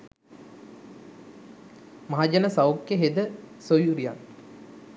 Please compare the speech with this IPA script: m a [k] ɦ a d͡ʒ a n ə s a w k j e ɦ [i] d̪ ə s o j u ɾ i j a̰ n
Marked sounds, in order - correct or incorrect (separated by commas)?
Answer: incorrect, incorrect